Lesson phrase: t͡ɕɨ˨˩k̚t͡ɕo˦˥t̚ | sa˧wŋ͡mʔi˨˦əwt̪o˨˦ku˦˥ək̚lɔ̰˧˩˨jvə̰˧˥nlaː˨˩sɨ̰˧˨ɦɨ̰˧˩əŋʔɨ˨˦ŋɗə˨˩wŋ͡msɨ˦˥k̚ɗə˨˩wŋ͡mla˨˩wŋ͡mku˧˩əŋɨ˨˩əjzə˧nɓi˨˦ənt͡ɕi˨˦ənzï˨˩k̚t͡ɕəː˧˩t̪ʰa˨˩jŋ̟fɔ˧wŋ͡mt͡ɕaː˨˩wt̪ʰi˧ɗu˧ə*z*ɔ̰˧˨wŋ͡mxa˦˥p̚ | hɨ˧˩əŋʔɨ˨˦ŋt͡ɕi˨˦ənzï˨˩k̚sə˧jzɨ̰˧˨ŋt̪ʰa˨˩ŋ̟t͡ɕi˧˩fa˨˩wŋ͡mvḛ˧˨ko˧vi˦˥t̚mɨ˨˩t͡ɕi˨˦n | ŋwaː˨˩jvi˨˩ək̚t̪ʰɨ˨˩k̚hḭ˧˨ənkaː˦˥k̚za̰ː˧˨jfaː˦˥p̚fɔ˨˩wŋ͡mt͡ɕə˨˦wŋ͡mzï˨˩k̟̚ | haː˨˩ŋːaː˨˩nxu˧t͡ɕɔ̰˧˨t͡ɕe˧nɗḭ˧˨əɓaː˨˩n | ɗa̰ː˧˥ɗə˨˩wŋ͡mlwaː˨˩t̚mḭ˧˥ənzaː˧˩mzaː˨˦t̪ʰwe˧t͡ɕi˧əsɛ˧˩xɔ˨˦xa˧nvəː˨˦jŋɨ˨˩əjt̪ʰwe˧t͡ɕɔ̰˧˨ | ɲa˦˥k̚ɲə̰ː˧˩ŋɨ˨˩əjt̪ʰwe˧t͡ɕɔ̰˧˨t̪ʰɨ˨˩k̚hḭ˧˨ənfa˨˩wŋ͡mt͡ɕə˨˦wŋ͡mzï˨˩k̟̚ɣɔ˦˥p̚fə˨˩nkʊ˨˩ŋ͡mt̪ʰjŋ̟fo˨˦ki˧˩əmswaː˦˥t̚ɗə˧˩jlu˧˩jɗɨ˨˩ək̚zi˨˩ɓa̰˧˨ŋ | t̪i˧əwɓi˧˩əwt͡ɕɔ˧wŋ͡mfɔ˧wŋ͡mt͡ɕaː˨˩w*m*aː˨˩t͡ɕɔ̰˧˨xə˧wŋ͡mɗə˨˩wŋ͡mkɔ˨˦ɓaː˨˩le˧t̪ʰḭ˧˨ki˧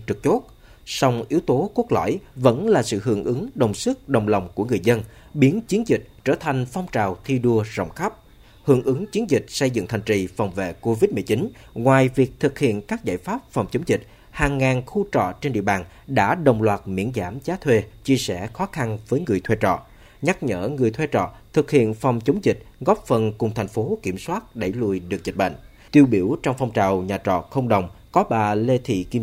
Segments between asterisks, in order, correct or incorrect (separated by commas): correct, incorrect